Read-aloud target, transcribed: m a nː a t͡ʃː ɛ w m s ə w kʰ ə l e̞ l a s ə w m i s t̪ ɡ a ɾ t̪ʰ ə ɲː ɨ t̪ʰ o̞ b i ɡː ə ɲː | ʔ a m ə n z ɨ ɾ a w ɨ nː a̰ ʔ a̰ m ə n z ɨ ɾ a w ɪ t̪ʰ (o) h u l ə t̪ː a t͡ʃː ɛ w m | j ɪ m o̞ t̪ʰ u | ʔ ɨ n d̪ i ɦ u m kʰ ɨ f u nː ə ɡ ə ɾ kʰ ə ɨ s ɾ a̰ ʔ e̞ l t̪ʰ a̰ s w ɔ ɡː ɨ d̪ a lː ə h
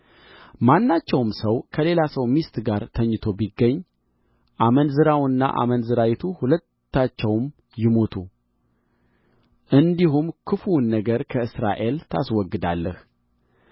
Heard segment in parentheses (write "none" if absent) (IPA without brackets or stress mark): u